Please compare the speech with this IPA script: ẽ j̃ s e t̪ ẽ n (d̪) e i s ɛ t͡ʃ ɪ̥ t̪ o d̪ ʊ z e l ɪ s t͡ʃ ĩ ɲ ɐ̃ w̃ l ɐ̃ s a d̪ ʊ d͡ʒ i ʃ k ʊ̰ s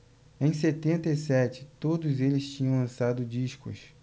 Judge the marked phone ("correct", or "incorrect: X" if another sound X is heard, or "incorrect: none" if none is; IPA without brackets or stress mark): incorrect: t̪